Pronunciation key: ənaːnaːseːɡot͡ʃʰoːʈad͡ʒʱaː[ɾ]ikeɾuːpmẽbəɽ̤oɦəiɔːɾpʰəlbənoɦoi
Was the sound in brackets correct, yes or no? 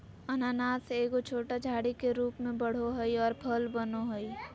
no